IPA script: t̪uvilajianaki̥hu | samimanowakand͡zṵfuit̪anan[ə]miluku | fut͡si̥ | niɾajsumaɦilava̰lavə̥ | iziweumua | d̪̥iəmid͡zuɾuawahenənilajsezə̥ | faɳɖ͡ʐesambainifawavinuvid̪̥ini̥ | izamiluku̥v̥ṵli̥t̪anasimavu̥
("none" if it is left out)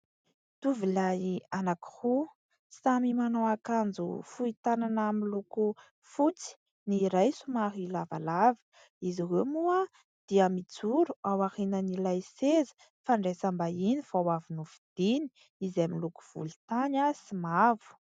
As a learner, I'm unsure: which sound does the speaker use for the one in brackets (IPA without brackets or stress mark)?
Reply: a